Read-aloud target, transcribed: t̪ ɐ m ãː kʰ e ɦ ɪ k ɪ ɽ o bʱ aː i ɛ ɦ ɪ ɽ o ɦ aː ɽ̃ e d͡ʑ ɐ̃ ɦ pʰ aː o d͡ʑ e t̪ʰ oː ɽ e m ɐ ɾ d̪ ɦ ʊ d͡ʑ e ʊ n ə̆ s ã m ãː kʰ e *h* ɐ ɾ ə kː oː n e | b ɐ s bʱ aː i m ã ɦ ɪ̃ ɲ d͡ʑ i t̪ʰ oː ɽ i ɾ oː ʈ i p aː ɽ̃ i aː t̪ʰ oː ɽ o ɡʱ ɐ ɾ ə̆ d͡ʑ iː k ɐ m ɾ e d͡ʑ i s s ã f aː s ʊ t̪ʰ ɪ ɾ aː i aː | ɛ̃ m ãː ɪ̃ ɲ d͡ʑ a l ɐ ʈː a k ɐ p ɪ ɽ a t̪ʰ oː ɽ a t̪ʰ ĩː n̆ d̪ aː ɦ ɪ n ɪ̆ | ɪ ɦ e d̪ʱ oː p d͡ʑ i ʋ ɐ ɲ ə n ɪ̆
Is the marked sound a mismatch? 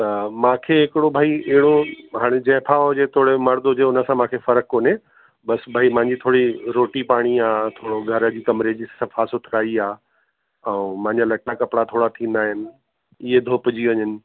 yes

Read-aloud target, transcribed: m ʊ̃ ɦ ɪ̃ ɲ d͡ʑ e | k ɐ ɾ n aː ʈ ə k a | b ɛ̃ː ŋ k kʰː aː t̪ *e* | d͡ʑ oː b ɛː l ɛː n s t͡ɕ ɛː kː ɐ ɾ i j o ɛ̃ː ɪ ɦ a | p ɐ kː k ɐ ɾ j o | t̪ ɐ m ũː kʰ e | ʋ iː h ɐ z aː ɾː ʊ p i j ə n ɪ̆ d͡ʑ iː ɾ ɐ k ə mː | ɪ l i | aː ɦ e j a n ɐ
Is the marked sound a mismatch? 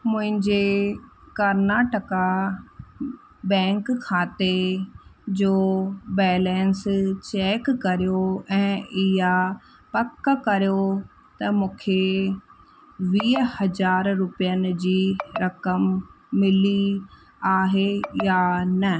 no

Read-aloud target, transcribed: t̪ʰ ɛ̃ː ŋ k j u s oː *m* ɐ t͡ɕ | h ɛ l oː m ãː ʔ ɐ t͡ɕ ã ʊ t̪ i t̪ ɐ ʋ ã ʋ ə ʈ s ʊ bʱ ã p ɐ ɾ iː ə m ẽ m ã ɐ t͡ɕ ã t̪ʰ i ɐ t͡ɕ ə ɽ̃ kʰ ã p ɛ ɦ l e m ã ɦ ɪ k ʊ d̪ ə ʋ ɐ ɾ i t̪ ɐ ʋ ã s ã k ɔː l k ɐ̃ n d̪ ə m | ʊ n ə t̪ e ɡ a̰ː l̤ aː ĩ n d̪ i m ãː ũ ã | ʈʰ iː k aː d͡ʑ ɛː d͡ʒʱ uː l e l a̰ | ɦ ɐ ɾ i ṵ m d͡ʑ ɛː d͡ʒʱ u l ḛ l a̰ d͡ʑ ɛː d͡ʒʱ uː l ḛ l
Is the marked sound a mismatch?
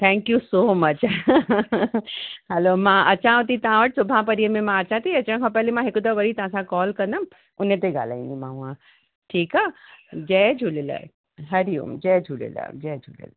no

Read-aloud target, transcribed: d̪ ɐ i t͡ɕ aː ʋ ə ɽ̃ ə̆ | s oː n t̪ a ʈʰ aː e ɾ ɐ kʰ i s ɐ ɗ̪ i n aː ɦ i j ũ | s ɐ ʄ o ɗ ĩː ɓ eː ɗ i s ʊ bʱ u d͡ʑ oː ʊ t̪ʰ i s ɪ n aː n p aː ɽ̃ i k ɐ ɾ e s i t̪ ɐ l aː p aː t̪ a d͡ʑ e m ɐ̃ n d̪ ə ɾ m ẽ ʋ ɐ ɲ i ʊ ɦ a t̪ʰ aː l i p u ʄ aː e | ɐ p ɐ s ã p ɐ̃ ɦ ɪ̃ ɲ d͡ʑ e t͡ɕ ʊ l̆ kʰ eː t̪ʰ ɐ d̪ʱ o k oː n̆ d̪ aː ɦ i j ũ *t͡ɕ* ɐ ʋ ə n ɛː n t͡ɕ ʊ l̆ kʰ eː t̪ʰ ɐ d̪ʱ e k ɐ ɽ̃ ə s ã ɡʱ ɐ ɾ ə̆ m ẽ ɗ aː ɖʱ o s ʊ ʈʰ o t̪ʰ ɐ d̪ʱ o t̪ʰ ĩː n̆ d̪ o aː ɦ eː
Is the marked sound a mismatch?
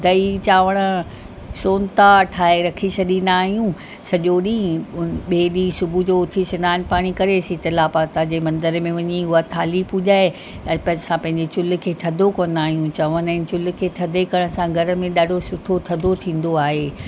no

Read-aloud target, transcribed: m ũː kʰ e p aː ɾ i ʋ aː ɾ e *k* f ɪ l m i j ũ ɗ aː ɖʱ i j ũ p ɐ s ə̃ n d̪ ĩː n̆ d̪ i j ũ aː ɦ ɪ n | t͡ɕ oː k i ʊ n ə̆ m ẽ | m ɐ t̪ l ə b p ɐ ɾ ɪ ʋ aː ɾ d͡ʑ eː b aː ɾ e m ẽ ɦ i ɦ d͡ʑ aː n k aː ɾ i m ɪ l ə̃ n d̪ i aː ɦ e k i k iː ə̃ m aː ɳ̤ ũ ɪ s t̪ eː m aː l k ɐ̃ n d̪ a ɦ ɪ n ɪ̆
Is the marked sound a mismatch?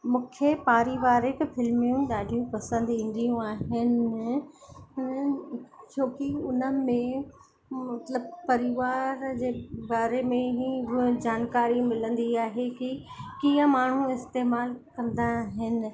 no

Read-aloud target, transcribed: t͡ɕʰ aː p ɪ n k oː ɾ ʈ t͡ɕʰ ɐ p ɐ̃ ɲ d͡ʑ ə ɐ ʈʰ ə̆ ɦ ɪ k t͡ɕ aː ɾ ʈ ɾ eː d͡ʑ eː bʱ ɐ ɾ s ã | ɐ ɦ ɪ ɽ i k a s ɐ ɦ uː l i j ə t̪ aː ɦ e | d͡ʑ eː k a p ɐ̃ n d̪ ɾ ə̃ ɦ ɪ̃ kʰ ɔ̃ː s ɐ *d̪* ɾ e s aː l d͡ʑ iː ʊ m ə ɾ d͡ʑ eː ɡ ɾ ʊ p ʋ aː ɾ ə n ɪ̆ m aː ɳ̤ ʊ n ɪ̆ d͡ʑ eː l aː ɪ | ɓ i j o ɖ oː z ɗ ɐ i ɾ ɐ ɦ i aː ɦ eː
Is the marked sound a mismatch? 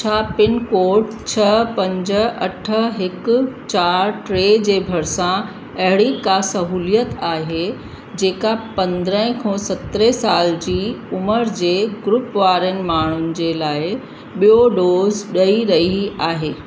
yes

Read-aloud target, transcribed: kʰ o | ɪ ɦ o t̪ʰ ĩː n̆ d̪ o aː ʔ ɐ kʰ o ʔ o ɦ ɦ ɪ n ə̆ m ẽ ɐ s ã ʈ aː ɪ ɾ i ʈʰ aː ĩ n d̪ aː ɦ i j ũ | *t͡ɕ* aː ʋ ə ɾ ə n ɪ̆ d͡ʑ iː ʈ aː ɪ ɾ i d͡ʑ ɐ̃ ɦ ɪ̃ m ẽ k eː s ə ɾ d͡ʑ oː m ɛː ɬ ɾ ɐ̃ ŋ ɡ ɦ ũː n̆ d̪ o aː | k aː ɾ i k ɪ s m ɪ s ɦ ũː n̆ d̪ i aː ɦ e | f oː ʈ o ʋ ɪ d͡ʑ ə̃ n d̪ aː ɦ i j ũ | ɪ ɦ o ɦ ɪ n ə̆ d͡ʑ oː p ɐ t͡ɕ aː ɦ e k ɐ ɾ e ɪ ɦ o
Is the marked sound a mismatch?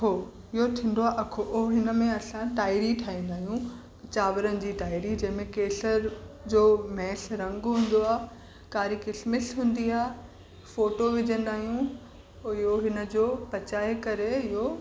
no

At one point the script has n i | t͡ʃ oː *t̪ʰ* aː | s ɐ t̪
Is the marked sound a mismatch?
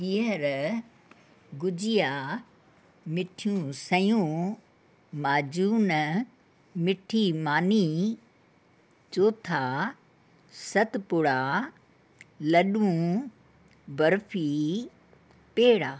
no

